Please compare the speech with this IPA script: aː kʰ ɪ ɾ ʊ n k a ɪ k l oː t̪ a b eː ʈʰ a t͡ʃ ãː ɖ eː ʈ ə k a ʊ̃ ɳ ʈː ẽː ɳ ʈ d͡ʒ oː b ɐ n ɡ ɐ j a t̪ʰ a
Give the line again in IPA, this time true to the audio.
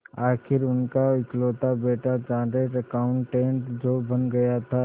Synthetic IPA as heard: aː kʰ ɪ ɾ ʊ n k a ɪ k l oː t̪ a b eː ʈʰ a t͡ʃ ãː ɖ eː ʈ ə k a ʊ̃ ɳ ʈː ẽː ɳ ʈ d͡ʒ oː b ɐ n ɡ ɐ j a t̪ʰ a